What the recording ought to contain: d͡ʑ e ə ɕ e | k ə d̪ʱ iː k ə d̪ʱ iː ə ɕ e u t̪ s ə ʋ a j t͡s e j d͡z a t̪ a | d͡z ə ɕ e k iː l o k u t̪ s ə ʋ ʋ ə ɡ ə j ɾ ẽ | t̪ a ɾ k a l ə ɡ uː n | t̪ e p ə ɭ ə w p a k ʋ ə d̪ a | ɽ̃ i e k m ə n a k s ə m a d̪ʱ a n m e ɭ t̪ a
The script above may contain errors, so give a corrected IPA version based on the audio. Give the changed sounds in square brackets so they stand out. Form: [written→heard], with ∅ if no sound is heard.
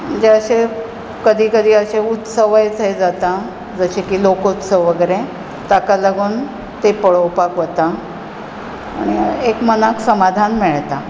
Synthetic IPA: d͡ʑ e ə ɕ e | k ə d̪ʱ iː k ə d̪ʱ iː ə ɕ e u t̪ s ə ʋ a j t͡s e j d͡z a t̪ a | d͡z ə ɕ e k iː l o k u t̪ s ə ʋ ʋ ə ɡ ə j ɾ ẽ | t̪ a [ɾ→∅] k a l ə ɡ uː n | t̪ e p ə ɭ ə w p a k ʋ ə [d̪→t̪] a | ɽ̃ i e k m ə n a k s ə m a d̪ʱ a n m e ɭ t̪ a